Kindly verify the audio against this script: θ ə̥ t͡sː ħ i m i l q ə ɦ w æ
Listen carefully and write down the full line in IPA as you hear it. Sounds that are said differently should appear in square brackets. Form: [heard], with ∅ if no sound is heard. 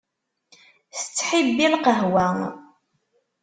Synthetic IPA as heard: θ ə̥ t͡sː ħ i [b] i l q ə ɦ w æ